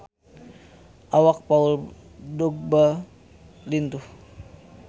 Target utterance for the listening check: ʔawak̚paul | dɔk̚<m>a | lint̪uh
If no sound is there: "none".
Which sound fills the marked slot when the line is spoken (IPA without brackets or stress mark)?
b